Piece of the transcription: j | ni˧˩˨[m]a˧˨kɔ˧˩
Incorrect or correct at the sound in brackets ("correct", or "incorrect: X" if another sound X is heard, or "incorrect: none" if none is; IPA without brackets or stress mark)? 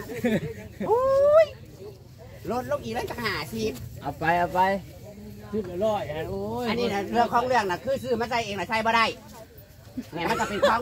correct